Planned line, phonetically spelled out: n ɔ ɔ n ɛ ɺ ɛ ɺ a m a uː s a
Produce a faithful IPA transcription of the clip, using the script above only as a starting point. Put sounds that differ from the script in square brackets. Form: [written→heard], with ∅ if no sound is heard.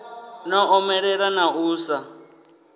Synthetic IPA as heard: n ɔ ɔ [n→m] ɛ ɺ ɛ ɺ a [m→n] a uː s a

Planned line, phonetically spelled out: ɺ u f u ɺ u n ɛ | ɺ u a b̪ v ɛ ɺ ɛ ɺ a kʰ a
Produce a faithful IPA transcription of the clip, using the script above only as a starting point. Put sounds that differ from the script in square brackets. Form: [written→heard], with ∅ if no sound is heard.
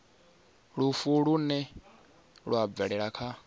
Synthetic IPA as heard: ɺ u f u ɺ u n ɛ | ɺ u a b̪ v ɛ ɺ ɛ ɺ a kʰ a

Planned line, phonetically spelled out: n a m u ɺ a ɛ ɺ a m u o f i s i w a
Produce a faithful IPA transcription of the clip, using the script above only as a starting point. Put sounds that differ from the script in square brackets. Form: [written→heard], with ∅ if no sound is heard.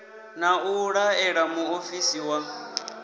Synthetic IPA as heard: n a [m→∅] u ɺ a ɛ ɺ a m u o f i s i w a

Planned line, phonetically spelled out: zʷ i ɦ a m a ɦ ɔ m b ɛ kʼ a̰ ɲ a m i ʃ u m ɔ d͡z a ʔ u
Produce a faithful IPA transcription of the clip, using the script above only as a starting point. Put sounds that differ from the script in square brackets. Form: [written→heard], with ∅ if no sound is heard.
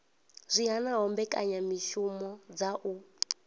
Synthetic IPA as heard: zʷ i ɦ a [m→n] a ɦ ɔ m b ɛ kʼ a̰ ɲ a m i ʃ u m ɔ d͡z a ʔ u

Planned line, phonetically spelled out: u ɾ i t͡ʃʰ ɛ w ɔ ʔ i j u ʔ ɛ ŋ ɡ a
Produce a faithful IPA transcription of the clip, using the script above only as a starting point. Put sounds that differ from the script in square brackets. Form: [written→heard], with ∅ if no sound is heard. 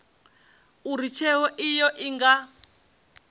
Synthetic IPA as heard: u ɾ i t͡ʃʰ ɛ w ɔ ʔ i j [u→ɔ] ʔ [ɛ→i] ŋ ɡ a

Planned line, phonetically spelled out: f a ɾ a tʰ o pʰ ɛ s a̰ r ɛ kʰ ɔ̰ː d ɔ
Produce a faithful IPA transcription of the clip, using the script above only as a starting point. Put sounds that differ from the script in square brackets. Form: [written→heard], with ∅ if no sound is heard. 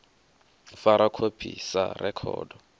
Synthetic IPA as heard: f a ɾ a [tʰ→kʰ] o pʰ [ɛ→i] s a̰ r ɛ kʰ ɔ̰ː d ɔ

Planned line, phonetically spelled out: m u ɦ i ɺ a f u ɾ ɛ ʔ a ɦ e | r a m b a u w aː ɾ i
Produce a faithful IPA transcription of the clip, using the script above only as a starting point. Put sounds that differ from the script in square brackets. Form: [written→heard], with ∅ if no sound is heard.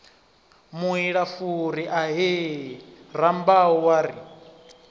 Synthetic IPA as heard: m u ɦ i ɺ a f u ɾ [ɛ→i] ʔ a ɦ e | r a m b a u w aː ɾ i

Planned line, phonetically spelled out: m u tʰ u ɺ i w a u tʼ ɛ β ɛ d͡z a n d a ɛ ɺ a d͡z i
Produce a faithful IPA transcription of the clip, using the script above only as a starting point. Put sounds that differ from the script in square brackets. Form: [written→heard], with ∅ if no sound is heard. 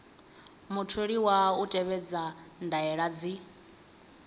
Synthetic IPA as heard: m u tʰ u ɺ i w a u tʼ ɛ β ɛ d͡z a n d a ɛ ɺ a d͡z i

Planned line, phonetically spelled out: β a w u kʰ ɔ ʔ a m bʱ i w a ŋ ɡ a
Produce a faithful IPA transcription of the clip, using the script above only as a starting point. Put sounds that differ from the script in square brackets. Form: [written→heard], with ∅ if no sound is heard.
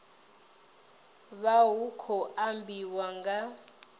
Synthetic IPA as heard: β a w u kʰ ɔ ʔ a m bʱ i w a ŋ ɡ a

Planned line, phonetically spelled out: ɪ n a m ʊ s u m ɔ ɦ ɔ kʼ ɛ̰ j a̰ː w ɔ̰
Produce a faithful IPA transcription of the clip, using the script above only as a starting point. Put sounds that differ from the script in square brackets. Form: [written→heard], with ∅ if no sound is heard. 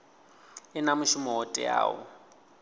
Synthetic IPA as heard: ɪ n a m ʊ [s→ʃ] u m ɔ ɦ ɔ [kʼ→tʼ] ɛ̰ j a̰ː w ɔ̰

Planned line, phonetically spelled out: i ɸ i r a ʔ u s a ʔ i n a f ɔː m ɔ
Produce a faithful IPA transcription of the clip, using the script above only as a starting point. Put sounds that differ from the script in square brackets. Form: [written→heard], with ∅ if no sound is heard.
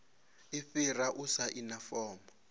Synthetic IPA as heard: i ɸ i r a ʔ u s a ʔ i n a f ɔː m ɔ

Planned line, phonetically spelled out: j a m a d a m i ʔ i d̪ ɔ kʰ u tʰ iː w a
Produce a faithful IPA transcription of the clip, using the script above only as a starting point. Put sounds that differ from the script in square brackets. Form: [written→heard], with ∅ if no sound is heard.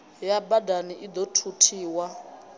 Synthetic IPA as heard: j a [m→b] a d a [m→n] i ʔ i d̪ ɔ [kʰ→tʰ] u tʰ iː w a

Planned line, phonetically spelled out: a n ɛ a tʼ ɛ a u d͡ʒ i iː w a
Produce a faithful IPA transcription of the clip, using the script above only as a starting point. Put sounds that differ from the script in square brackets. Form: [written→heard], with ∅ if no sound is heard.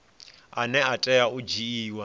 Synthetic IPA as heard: a n ɛ a tʼ ɛ a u d͡ʒ i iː w a

